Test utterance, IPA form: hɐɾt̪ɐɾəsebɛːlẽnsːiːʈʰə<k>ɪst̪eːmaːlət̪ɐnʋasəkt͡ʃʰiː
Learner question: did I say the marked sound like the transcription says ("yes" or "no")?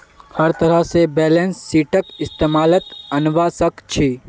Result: yes